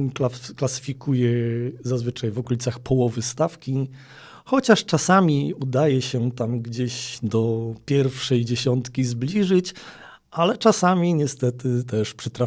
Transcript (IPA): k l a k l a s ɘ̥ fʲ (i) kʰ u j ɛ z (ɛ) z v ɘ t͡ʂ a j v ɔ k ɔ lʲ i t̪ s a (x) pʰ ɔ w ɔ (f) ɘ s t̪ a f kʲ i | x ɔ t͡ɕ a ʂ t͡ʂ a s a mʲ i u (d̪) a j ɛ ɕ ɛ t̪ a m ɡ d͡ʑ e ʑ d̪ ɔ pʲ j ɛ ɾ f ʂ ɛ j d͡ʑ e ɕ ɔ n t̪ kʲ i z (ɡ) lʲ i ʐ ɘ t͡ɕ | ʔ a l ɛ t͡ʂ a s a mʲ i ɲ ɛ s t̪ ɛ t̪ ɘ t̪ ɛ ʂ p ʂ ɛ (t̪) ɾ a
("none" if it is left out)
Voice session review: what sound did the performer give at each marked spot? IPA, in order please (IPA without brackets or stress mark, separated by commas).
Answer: i, a, x, v, d̪, b, t̪